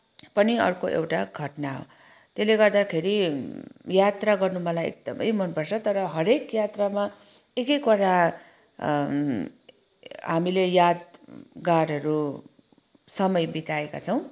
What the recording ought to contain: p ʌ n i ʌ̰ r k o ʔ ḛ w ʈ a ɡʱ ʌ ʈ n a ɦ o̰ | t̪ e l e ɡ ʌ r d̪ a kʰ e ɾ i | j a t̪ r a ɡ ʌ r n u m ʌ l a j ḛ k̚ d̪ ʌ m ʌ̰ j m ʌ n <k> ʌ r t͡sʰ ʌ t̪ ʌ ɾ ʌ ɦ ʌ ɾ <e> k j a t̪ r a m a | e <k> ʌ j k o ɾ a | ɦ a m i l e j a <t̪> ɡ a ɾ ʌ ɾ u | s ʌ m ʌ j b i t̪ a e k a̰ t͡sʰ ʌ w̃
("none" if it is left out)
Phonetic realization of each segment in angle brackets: p, e, k, d̪

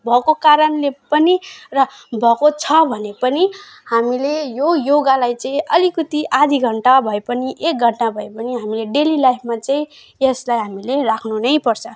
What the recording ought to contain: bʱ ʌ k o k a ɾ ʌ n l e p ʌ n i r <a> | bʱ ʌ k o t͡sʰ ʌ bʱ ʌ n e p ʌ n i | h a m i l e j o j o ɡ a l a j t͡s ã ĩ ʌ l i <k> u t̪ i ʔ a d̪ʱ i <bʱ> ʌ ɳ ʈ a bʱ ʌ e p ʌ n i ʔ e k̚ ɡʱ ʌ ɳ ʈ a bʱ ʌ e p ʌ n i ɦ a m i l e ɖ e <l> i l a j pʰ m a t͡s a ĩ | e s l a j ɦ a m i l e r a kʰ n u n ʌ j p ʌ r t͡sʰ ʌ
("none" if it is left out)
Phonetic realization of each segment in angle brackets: ʌ, k, ɡʱ, l

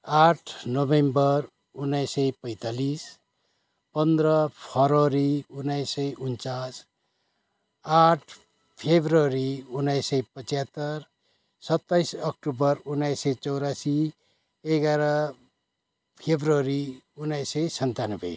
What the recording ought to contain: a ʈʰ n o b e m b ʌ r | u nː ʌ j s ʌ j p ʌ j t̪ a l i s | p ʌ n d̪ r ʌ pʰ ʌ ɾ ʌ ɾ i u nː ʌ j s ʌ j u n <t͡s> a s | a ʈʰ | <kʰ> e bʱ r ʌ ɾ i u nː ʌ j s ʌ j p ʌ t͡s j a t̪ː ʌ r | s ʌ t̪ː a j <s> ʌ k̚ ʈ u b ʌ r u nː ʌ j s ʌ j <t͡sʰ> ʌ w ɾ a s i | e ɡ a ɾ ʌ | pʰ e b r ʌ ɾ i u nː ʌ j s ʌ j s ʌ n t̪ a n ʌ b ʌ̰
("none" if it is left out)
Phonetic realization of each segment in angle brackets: t͡s, pʰ, s, t͡s

